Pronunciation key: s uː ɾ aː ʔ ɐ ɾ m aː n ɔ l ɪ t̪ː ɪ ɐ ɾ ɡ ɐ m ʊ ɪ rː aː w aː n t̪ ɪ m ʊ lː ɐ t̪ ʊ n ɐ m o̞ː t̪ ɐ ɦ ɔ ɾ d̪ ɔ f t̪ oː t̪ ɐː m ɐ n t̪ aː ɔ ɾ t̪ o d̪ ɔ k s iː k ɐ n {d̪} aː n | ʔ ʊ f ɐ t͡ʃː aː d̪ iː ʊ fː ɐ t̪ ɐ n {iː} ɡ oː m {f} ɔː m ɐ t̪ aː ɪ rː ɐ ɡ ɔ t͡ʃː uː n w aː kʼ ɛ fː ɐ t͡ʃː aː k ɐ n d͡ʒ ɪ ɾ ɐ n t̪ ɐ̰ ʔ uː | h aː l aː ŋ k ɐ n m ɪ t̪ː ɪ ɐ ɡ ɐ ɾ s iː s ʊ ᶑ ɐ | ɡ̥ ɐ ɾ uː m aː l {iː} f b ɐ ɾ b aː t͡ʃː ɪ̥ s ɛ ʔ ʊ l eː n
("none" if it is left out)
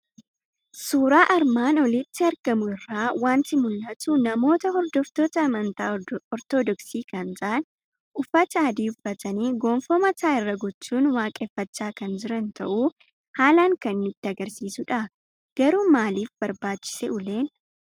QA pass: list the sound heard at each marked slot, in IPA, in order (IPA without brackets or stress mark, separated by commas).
t̪, iː, f, iː